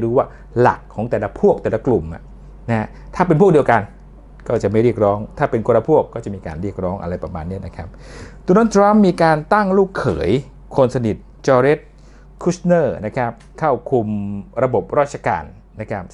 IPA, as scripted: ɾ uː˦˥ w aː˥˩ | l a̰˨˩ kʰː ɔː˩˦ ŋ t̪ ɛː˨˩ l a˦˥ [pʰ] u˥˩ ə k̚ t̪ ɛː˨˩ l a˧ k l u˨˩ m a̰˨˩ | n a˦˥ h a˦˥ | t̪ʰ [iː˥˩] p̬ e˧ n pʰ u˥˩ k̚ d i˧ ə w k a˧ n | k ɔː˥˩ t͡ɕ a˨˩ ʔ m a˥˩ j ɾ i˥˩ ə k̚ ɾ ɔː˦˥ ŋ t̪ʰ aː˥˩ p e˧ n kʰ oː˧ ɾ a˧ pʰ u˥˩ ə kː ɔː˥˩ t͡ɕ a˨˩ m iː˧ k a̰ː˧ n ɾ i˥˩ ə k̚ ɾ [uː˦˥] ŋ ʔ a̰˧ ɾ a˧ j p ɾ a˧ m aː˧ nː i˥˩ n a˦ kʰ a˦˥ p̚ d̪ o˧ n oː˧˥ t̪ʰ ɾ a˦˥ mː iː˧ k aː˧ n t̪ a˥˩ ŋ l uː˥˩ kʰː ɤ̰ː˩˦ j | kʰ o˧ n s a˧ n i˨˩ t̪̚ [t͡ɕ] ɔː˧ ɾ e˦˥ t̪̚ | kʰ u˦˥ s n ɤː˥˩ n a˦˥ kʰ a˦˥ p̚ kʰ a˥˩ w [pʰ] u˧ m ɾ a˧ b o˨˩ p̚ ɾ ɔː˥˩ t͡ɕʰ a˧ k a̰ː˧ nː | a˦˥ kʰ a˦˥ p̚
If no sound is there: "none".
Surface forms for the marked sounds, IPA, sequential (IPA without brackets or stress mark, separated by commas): pʰ, aː˥˩, ɔː˦˥, t͡ɕ, kʰ